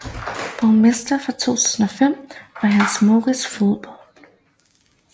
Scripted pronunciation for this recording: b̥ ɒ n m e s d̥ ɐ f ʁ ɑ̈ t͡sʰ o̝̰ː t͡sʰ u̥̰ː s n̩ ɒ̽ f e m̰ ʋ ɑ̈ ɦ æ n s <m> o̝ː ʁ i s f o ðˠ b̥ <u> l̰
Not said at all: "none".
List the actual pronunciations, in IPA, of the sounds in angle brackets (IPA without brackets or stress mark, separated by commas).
m, ɒ